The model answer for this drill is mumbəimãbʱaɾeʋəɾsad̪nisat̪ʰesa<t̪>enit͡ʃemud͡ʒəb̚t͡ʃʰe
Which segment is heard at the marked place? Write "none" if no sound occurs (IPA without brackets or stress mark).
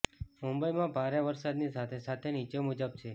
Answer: t̪ʰ